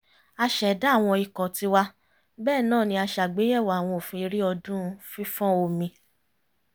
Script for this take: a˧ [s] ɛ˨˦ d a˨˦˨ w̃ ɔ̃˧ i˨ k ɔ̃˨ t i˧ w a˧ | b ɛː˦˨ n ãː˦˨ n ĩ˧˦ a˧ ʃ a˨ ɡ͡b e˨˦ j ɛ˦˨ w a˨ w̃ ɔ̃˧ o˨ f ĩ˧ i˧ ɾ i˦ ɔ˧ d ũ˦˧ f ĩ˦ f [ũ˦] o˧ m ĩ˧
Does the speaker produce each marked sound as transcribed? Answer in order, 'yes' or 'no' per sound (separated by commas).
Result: no, no